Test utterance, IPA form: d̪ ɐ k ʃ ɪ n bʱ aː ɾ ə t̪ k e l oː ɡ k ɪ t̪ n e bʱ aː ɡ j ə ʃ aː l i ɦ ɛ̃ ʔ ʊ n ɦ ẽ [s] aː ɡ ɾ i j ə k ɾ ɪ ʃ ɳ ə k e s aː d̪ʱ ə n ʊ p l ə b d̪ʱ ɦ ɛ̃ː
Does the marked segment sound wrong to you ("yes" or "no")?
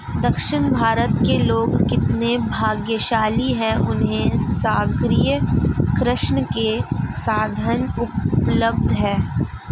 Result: no